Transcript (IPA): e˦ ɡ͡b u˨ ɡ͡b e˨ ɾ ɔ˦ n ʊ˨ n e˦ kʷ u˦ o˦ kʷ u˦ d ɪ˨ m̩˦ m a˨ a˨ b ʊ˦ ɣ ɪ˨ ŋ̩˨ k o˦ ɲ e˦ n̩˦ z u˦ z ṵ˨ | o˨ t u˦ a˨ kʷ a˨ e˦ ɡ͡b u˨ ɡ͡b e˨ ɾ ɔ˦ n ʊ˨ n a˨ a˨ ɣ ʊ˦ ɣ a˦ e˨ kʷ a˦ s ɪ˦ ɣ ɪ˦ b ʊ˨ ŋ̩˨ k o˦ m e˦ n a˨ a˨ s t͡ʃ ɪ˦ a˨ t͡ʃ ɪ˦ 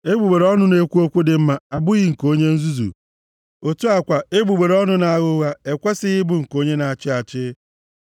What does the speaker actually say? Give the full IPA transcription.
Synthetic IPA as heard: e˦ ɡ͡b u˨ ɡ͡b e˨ ɾ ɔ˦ n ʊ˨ n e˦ kʷ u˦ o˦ kʷ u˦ d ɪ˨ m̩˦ m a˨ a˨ b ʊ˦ ɣ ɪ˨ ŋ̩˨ k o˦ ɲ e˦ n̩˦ z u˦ z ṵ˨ | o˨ t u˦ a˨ kʷ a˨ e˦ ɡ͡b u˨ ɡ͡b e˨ ɾ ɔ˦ n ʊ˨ n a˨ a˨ ɣ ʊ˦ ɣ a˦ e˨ kʷ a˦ s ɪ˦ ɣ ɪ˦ b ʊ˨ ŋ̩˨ k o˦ ɲ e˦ n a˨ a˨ t͡ʃ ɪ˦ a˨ t͡ʃ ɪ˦

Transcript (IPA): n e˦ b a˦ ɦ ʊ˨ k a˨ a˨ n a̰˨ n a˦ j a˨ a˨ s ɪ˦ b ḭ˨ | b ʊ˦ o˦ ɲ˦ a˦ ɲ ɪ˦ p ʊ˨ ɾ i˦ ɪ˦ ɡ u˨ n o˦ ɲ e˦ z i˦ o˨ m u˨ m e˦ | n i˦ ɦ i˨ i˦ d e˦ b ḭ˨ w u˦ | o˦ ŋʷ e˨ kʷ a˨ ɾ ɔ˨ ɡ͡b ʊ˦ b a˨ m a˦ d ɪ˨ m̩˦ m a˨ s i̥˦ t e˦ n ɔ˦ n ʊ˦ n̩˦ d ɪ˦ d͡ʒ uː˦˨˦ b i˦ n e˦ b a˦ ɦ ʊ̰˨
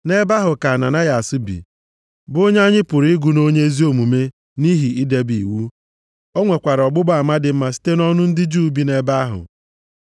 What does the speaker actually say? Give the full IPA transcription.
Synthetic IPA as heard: n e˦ b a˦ ɦ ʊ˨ k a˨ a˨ n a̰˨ n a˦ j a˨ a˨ s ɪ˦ b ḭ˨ | b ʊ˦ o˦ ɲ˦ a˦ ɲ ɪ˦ p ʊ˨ ɾ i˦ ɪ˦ ɡ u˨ n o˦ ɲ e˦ z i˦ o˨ m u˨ m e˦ | n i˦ ɦ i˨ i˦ d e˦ b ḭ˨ w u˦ | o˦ ŋʷ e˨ kʷ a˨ ɾ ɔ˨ ɡ͡b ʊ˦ b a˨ m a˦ d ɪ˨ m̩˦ m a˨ s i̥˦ t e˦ n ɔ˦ n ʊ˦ n̩˦ d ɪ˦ d͡ʒ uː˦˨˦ b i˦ n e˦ b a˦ ɦ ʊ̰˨

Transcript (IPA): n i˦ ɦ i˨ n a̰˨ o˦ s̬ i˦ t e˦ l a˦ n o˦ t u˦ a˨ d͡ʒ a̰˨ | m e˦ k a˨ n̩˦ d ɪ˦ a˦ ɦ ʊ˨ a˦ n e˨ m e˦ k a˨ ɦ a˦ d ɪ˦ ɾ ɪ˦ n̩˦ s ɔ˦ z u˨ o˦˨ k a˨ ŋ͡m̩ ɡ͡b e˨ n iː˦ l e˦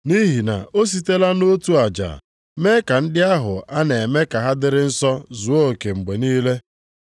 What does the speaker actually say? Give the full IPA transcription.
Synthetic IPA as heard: n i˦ ɦ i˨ n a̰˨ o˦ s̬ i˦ t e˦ l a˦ n o˦ t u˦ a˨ d͡ʒ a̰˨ | m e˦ k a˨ n̩˦ d ɪ˦ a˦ ɦ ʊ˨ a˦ n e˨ m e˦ k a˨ ɦ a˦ d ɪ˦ ɾ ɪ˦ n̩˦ s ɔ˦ z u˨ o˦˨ k e˨ ŋ͡m̩ ɡ͡b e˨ n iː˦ l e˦

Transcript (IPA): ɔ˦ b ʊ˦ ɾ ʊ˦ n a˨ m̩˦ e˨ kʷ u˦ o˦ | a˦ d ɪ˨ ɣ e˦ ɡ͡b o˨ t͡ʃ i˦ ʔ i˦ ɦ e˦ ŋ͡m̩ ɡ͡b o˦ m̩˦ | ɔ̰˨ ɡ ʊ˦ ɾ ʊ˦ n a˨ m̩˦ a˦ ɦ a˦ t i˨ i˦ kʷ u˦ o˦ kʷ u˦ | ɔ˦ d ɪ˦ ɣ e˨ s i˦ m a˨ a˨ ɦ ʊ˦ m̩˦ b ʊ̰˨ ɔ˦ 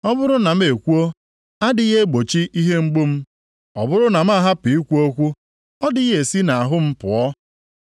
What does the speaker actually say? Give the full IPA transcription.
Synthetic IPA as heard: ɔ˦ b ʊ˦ ɾ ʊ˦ n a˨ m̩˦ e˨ kʷ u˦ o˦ | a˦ d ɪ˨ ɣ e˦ ɡ͡b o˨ t͡ʃ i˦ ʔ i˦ ɦ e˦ ŋ͡m̩ ɡ͡b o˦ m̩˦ | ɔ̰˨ b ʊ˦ ɾ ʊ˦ n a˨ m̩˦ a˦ ɦ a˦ p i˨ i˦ kʷ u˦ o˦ kʷ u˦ | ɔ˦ d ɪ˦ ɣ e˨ s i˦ n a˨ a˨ ɦ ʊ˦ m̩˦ p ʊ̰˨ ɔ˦

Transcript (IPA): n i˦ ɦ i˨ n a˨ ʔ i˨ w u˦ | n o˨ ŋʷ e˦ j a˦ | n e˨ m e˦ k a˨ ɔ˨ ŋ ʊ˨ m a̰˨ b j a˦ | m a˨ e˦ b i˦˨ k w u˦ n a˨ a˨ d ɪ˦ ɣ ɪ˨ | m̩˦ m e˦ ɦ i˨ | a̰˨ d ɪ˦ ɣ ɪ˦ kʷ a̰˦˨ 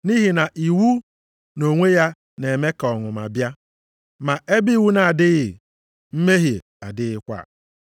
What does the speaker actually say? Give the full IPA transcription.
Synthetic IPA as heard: n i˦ ɦ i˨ n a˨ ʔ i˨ w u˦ | n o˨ ŋʷ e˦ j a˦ | n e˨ m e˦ k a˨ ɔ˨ ŋ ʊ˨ m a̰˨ b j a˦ | m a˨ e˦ b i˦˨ w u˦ n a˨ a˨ d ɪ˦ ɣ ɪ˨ | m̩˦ m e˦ ɦ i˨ | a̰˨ d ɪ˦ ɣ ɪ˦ kʷ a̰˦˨

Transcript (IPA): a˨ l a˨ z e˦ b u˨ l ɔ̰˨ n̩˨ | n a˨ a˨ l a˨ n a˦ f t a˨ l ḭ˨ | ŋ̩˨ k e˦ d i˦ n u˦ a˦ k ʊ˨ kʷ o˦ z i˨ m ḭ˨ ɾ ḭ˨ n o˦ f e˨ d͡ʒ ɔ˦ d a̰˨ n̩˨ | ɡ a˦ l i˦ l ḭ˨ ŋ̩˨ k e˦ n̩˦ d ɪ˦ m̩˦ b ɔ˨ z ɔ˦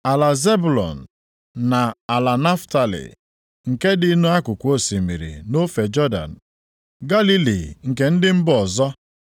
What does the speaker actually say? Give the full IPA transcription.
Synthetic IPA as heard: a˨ l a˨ z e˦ b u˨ l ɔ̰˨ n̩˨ | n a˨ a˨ l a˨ n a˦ f t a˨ l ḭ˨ | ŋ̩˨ k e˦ d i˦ n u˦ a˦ k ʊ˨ kʷ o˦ s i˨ m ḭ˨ ɾ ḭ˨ n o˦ f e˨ d͡ʒ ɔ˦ d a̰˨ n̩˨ | ɡ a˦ l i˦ l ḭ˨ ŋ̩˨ k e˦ n̩˦ d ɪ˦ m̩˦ b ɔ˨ z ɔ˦

